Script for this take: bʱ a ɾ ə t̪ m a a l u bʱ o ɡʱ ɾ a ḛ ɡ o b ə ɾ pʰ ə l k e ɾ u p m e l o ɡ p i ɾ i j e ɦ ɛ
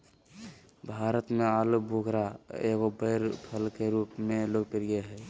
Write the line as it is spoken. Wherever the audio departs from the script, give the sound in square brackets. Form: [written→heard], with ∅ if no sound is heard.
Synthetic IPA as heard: bʱ a ɾ ə t̪ m [a→e] a l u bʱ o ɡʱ ɾ a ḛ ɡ o b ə ɾ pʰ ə l k e ɾ u p m e l o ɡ p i ɾ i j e ɦ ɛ